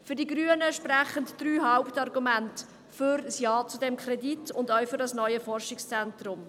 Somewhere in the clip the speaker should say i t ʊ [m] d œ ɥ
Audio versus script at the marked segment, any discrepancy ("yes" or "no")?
yes